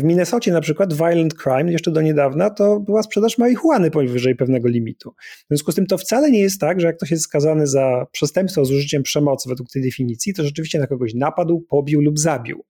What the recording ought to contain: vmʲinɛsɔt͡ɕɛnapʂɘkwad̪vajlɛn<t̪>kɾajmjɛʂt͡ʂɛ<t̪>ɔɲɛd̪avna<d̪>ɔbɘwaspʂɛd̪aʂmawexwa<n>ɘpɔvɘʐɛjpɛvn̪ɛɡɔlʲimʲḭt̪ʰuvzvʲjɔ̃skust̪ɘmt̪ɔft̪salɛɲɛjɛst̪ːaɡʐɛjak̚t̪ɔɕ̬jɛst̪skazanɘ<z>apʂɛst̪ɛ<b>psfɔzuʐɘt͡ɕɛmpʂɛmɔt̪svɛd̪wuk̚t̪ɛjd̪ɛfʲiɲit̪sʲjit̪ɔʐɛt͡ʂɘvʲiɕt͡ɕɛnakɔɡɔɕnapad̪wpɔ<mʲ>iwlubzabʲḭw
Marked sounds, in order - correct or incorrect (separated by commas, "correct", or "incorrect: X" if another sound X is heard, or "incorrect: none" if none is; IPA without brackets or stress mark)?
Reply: correct, incorrect: d̪, incorrect: t̪, correct, correct, incorrect: m, incorrect: bʲ